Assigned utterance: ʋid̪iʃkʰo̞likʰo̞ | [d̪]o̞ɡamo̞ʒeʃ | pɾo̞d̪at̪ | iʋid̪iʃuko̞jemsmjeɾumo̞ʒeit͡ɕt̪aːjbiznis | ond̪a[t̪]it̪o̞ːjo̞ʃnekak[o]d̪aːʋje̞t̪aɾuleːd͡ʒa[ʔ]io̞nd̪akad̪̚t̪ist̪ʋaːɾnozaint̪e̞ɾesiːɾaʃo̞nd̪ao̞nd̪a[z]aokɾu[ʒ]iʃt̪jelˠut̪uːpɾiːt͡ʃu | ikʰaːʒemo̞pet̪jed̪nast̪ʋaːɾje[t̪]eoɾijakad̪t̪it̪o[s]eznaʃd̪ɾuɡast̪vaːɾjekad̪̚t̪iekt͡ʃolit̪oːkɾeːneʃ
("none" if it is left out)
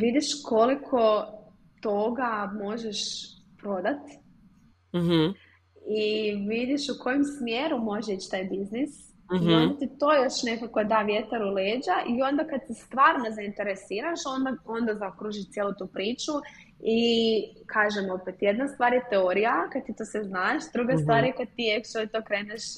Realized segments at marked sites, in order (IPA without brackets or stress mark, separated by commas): t̪, t̪, o, ʔ, z, ʒ, t̪, s